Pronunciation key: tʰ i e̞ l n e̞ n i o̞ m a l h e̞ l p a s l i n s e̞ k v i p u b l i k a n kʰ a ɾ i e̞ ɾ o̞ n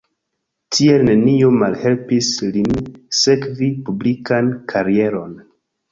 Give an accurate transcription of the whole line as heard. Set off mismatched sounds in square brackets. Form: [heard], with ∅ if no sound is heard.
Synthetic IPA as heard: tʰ i e̞ l n e̞ n i o̞ m a l h e̞ l p [i] s l i n s e̞ k v i p u b l i k a n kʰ a ɾ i e̞ ɾ o̞ n